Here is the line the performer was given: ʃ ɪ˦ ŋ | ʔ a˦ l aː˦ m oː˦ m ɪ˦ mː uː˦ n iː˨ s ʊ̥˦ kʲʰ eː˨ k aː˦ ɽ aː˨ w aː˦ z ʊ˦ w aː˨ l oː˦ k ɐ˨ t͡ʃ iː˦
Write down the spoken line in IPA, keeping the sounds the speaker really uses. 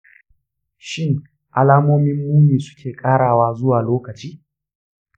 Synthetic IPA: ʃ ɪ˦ ŋ | ʔ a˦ l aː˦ m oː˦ m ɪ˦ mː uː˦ m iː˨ s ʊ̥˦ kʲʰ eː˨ kʼ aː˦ ɽ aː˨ w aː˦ z ʊ˦ w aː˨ l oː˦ k ɐ˨ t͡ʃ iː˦